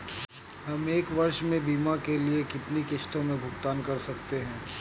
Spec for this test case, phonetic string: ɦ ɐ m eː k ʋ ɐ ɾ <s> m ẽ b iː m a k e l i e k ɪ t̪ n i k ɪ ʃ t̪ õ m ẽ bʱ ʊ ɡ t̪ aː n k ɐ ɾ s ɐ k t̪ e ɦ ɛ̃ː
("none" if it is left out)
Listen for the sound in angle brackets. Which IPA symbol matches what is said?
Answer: ʃ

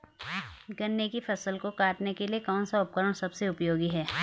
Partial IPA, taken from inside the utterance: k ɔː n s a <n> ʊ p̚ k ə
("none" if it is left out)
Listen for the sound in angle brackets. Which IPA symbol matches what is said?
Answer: none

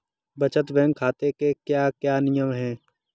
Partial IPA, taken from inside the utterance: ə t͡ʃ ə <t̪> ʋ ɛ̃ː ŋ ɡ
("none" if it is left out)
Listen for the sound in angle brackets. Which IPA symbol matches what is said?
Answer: t̪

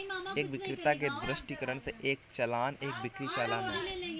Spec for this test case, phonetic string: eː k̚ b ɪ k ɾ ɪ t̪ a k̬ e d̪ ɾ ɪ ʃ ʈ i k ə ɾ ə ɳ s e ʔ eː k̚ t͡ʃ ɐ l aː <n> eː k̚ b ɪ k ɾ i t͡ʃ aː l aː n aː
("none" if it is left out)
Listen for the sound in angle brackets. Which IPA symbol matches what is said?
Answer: n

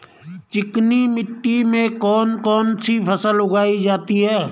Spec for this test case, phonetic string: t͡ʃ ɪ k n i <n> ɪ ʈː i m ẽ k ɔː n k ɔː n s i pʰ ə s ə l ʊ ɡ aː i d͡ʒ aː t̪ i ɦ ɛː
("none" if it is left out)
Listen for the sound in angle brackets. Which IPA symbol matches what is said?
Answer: m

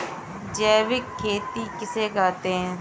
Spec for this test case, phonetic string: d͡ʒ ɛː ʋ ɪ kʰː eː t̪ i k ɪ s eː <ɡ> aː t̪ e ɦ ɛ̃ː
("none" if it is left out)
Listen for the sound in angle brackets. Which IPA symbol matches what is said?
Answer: ɡ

